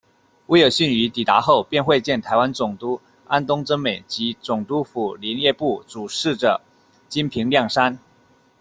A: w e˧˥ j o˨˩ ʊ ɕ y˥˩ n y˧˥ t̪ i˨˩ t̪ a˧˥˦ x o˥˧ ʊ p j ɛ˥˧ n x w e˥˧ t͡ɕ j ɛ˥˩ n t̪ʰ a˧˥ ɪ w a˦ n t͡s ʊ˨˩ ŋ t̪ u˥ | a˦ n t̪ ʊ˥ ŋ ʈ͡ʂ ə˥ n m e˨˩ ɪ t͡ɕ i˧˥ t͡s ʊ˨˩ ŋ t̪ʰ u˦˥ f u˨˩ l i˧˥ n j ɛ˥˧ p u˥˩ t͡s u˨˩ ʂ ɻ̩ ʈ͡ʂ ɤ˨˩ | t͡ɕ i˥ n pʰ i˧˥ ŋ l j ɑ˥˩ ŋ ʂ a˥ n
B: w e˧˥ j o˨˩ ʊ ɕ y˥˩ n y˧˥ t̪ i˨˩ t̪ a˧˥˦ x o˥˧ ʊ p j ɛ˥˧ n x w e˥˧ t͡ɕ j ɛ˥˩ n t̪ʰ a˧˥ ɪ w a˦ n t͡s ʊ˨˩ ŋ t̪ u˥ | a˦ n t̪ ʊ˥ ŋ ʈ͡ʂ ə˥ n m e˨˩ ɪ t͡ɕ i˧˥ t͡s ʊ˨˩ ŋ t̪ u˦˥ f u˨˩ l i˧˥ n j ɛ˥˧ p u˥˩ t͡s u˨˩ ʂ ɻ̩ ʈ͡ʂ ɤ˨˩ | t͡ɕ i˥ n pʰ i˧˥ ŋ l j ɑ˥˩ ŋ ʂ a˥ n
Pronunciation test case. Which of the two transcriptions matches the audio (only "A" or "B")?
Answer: B